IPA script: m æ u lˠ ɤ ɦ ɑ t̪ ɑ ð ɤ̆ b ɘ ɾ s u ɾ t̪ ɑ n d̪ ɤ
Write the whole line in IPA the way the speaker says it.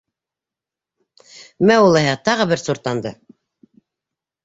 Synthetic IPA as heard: m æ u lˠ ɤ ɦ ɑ t̪ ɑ ʁ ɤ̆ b ɘ ɾ s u ɾ t̪ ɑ n d̪ ɤ

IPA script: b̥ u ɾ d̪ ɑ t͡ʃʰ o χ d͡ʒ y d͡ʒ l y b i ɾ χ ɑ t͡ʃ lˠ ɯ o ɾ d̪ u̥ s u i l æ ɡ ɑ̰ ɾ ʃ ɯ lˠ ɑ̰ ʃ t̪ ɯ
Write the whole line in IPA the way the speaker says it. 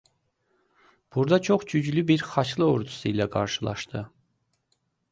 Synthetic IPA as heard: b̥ u ɾ d̪ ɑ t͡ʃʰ o χ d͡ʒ y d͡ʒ l y b i ɾ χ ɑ t͡ʃ lˠ ɯ o ɾ d̪ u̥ s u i l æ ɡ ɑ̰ ɾ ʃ ɯ lˠ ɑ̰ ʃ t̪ ɯ

